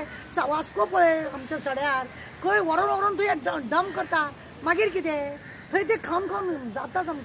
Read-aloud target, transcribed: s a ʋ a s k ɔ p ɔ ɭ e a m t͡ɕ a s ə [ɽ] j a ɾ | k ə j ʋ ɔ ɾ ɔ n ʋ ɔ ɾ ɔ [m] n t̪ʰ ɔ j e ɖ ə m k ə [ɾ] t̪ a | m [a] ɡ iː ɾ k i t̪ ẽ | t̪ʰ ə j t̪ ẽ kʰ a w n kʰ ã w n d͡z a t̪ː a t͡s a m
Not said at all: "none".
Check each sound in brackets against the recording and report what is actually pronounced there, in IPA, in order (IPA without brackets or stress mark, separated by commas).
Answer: ɽ, none, ɾ, a